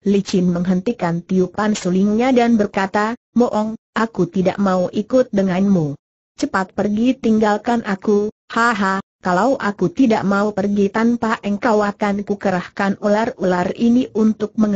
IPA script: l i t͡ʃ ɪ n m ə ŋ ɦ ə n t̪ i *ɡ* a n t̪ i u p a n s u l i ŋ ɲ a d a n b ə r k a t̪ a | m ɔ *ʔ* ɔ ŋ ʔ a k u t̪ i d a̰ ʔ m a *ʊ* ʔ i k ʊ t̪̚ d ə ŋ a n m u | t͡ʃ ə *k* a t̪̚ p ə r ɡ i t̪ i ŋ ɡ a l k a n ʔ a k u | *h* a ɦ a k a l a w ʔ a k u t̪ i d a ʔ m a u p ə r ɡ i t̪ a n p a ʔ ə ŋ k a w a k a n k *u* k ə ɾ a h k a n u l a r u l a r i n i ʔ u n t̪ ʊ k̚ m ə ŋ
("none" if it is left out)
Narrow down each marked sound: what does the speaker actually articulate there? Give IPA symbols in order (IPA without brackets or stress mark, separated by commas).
k, ʔ, u, p, h, u